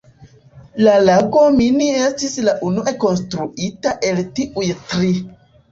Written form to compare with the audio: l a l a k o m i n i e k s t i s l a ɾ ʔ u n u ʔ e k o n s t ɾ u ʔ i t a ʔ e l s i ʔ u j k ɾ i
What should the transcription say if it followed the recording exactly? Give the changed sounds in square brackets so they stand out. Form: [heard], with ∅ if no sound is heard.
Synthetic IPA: l a l a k o m i n i e [∅] s t i s l a [∅] ʔ u n u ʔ e k o n s t ɾ u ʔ i t a ʔ e l [t] i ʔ u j [t] ɾ i